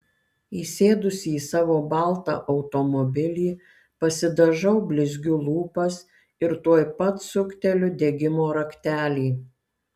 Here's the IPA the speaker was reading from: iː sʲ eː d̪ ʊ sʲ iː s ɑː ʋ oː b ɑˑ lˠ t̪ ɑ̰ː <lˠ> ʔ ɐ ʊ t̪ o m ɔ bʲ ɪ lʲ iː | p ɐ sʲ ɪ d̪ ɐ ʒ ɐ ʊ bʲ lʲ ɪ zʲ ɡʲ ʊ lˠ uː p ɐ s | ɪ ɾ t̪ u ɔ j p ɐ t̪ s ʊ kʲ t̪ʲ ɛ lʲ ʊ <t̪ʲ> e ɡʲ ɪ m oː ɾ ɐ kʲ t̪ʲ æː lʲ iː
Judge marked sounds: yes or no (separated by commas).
no, no